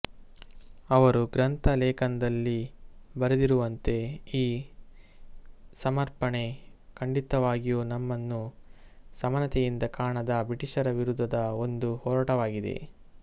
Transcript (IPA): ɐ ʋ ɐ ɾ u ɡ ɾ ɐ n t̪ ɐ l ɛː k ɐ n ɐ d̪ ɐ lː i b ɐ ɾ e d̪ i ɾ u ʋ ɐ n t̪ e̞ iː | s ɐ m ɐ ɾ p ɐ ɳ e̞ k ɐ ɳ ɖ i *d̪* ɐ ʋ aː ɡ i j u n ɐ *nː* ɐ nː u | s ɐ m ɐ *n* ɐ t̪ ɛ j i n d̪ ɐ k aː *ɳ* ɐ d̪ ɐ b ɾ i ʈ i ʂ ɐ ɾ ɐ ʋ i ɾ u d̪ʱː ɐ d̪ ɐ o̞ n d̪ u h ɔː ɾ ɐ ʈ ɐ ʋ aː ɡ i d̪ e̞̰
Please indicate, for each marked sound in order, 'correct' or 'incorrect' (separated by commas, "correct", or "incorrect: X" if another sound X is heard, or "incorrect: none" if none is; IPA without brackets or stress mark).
incorrect: t̪, incorrect: mː, correct, correct